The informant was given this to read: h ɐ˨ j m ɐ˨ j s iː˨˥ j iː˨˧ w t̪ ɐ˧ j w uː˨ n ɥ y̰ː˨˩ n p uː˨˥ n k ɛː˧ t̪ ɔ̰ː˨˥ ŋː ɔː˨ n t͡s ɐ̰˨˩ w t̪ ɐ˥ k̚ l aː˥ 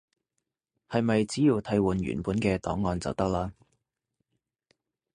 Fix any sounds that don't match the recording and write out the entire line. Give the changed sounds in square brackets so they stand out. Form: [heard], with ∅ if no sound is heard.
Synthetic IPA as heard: h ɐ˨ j m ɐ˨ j [t͡s] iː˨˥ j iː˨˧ w [t̪ʰ] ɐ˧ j w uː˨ n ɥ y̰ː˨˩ n p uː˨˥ n k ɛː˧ t̪ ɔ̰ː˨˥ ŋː ɔː˨ n t͡s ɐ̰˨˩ w t̪ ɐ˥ k̚ l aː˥

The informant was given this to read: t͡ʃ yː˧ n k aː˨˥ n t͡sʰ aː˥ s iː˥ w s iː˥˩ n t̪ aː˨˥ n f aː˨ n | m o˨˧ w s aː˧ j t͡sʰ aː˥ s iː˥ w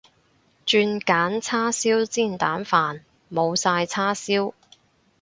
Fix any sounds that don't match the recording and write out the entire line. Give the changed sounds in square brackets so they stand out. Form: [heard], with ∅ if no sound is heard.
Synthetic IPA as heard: t͡ʃ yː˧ n k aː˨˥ n t͡sʰ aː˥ s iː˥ w [t͡s] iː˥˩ n t̪ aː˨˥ n f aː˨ n | m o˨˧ w s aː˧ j t͡sʰ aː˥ s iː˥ w

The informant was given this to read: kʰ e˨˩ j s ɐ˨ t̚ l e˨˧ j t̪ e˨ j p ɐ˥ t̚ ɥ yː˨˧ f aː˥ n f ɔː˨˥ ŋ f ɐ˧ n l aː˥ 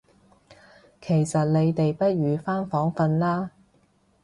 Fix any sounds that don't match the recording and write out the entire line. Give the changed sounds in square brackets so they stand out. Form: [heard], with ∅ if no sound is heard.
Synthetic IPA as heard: kʰ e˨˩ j s ɐ˨ t̚ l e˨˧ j t̪ e˨ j p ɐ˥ t̚ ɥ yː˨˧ f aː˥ n f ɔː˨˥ ŋ f ɐ˧ n l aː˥

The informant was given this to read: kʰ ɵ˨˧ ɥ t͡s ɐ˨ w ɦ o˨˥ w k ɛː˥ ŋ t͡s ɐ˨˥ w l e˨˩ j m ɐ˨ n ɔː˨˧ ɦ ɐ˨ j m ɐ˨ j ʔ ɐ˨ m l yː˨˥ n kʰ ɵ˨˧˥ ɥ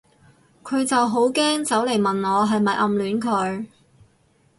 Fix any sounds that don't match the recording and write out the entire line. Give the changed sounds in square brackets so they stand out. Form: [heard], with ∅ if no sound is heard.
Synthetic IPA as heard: kʰ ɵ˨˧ ɥ t͡s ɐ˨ w ɦ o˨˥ w k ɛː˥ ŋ t͡s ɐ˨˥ w l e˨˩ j m ɐ˨ n ɔː˨˧ ɦ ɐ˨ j m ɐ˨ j ʔ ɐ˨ m l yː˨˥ n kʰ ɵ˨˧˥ ɥ

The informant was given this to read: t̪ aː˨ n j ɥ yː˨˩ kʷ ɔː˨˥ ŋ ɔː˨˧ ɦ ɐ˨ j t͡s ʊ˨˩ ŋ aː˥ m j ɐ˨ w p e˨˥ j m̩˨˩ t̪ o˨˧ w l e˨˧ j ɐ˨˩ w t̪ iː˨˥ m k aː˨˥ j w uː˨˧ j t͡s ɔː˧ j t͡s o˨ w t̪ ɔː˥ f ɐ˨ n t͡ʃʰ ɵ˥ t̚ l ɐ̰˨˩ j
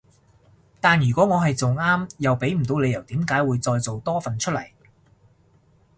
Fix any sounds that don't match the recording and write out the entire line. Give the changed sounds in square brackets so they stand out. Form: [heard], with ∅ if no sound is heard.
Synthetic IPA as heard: t̪ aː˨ n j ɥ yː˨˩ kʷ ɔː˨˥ ŋ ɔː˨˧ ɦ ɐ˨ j t͡s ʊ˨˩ ŋ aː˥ m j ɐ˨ w p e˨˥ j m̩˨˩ t̪ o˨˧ w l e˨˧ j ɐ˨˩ w t̪ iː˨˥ m k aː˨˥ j w uː˨˧ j t͡s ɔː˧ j t͡s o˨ w t̪ ɔː˥ f ɐ˨ n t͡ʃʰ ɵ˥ t̚ l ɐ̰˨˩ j

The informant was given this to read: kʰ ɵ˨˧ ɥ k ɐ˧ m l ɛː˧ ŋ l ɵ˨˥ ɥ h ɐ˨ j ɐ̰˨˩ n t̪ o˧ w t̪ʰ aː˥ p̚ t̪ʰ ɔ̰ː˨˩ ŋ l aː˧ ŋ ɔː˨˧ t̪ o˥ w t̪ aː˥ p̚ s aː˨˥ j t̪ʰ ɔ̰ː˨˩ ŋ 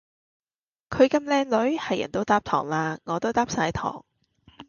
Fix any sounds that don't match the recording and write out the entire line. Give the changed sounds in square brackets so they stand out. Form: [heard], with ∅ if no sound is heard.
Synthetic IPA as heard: kʰ ɵ˨˧ ɥ k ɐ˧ m l ɛː˧ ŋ l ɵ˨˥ ɥ h ɐ˨ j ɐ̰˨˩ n t̪ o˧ w [t̪] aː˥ p̚ t̪ʰ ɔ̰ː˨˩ ŋ l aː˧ ŋ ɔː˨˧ t̪ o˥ w t̪ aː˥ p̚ s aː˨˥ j t̪ʰ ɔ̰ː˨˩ ŋ

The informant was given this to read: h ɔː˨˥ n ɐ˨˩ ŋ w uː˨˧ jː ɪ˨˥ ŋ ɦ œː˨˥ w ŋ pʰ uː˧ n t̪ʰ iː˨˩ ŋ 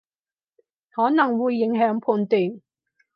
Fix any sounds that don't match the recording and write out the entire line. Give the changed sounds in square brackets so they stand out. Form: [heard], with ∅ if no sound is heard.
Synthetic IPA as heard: h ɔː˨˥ n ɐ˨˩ ŋ w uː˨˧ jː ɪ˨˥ ŋ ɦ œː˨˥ [∅] ŋ pʰ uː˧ n [t̪] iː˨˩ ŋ

